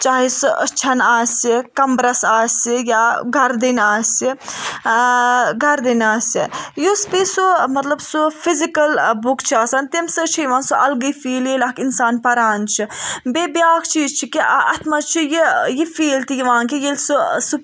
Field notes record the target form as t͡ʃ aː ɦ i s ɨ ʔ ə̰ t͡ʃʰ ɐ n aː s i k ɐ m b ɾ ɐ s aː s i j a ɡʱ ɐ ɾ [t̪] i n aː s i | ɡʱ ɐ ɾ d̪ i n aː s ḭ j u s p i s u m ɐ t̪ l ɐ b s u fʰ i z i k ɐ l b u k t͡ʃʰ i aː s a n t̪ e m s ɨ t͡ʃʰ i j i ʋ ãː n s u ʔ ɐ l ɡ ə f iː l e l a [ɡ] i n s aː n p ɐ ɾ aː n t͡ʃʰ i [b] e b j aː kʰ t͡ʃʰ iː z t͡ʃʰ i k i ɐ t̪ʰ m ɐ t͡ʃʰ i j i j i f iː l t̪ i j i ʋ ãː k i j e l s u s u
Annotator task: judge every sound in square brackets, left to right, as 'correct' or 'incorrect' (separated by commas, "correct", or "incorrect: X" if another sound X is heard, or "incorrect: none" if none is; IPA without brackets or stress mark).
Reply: incorrect: d̪, incorrect: k, correct